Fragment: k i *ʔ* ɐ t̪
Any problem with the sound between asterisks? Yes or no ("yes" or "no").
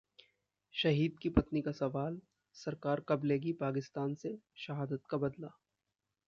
yes